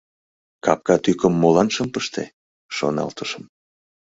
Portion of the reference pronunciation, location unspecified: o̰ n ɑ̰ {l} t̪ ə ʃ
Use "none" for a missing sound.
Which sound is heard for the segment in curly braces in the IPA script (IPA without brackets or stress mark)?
l